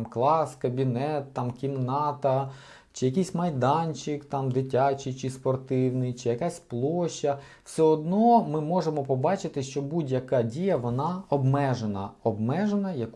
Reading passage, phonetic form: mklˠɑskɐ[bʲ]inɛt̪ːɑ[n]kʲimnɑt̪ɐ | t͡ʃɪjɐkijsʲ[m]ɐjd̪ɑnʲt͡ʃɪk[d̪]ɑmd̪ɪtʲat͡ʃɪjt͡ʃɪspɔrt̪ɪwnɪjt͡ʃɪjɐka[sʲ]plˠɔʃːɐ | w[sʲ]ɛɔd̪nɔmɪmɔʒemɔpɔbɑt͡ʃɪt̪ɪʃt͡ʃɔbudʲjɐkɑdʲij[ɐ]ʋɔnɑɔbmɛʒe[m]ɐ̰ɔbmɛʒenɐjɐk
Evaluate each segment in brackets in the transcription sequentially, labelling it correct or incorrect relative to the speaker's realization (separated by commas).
correct, incorrect, correct, incorrect, correct, correct, correct, incorrect